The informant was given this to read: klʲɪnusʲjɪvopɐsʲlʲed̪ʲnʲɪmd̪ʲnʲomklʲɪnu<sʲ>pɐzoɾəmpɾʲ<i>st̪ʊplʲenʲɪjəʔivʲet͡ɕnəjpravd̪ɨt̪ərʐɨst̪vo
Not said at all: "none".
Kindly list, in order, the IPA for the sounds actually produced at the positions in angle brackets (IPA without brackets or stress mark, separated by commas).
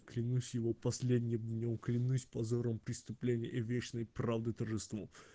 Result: sʲ, ɪ